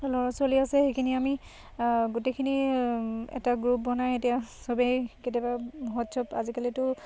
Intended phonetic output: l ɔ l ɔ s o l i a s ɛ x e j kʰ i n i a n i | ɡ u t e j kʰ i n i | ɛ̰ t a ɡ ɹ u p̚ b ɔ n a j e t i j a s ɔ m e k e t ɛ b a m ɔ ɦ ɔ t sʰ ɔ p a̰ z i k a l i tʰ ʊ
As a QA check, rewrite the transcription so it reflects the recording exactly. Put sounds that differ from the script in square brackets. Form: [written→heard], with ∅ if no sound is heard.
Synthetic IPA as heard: l ɔ [l→ɹ] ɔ s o l i a s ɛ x e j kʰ i n i a [n→m] i | ɡ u t e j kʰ i n i | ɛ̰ t a ɡ ɹ u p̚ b ɔ n a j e t i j a s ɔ [m→b] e k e t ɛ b a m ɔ ɦ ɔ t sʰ ɔ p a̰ z i k a l i [tʰ→t] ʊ

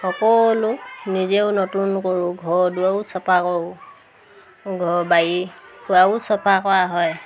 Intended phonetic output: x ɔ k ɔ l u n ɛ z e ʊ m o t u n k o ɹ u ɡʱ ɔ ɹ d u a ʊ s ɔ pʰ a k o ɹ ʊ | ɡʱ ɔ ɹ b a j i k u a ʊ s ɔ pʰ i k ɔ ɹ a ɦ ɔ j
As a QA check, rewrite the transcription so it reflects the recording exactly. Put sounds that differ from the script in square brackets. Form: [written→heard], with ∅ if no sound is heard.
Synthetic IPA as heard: x ɔ k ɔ l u n [ɛ→i] z e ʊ [m→n] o t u n k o ɹ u ɡʱ ɔ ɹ d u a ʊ s ɔ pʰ a k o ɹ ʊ | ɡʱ ɔ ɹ b a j i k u a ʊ s ɔ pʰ [i→a] k ɔ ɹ a ɦ ɔ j

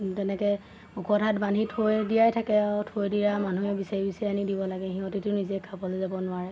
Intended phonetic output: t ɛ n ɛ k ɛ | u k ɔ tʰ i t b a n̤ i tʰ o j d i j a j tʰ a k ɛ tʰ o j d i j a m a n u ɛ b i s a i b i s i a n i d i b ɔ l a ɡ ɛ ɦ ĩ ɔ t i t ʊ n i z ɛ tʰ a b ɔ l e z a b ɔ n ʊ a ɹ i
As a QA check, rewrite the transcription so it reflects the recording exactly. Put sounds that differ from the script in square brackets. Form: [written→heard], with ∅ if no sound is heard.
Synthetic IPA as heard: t ɛ n ɛ k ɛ | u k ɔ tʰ [i→a] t b a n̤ i tʰ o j d i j a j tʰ a k ɛ tʰ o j d i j a m a n u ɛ b i s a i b i s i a n i d i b ɔ l a ɡ ɛ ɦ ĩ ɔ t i t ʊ n i z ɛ [tʰ→kʰ] a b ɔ l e z a b ɔ n ʊ a ɹ [i→ɛ]

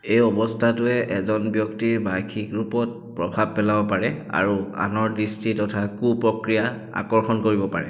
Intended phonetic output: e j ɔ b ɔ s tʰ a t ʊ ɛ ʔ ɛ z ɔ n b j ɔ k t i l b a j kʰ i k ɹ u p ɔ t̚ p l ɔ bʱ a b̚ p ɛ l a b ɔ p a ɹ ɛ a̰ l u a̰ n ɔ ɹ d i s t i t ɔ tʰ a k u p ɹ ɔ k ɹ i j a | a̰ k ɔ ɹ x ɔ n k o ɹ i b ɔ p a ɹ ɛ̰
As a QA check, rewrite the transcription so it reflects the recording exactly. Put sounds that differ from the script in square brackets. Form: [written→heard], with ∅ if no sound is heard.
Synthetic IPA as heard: e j ɔ b ɔ s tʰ a t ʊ ɛ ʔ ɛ z ɔ n b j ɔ k t i [l→ɹ] b a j kʰ i k ɹ u p ɔ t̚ p [l→ɹ] ɔ bʱ a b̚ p ɛ l a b ɔ p a ɹ ɛ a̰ [l→ɹ] u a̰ n ɔ ɹ d i s t i t ɔ tʰ a k u p ɹ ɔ k ɹ i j a | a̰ k ɔ ɹ x ɔ n k o ɹ i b ɔ p a ɹ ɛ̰

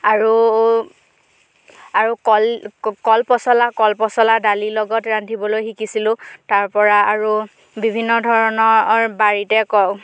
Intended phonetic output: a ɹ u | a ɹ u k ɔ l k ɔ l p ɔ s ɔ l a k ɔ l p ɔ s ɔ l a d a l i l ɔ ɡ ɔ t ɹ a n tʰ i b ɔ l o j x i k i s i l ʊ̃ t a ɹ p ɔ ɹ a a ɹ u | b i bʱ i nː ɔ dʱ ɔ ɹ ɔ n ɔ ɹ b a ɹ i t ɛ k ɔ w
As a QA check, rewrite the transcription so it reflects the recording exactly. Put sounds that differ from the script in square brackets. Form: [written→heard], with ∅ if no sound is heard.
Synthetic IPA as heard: a ɹ u | a ɹ u k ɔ l k ɔ l p ɔ s ɔ l a k ɔ l p ɔ s ɔ l a d a l i l ɔ ɡ ɔ t ɹ a n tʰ i b ɔ l o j x i k i s i l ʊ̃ t a ɹ p ɔ ɹ a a ɹ u | b i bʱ i nː ɔ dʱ ɔ ɹ ɔ n ɔ ɹ b a ɹ i t ɛ k ɔ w

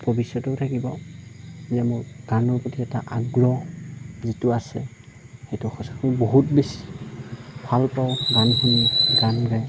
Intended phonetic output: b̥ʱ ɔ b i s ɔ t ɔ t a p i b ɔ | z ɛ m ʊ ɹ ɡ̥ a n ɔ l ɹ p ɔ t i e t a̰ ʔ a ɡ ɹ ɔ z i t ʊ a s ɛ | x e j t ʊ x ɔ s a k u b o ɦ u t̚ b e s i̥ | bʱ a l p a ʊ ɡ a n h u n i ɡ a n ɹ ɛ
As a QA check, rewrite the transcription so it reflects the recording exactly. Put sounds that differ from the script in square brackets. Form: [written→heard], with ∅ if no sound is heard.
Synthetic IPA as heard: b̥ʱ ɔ b i s ɔ t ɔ [t→tʰ] a [p→k] i b ɔ | z ɛ m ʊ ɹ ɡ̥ a n ɔ [l→∅] ɹ p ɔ t i [e→ɛ] t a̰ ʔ a ɡ ɹ ɔ z i t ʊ a s ɛ | x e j t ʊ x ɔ s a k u b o ɦ u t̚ b e s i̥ | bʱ a l p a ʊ ɡ a n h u n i ɡ a n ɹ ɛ

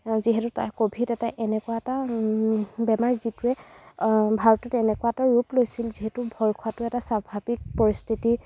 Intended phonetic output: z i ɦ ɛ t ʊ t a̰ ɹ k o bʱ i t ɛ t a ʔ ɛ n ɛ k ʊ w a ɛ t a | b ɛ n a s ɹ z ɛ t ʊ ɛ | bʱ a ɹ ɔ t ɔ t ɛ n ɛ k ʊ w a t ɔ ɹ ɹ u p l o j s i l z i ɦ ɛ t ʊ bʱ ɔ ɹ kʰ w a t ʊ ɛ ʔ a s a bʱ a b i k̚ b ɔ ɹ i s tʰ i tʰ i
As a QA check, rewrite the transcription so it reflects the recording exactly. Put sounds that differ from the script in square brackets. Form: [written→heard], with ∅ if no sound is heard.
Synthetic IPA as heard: z i ɦ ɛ t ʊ t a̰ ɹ k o bʱ i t ɛ t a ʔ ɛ n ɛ k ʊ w a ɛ t a | b ɛ [n→m] a [s→∅] ɹ z [ɛ→i] t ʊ ɛ | bʱ a ɹ ɔ t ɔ t ɛ n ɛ k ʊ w a t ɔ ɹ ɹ u p l o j s i l z i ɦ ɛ t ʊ bʱ ɔ ɹ kʰ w a t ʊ ɛ [ʔ→t] a s a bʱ a b i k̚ [b→p] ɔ ɹ i s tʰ i [tʰ→t] i

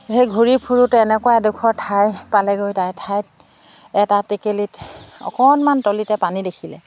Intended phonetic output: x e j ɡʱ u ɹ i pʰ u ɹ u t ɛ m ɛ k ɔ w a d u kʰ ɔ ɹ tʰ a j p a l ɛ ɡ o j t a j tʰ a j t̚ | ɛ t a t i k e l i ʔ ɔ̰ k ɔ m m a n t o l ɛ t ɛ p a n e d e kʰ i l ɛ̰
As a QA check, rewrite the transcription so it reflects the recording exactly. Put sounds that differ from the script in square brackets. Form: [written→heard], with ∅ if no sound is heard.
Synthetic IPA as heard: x e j ɡʱ u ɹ i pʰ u ɹ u t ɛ [m→n] ɛ k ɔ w a d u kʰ ɔ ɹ tʰ a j p a l ɛ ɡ o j t a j tʰ a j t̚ | ɛ t a t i k e l i [ʔ→t] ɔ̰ k ɔ [m→n] m a n t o l [ɛ→i] t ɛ p a n [e→i] d e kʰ i l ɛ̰

